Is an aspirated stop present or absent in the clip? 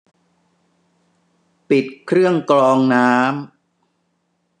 present